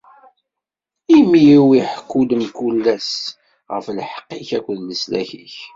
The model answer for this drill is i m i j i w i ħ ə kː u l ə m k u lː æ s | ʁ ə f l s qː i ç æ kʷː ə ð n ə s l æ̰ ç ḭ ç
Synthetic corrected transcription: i m i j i w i ħ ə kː u l ə m k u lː æ s | ʁ ə f l ħ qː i ç æ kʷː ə ð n ə s l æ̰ ç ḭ ç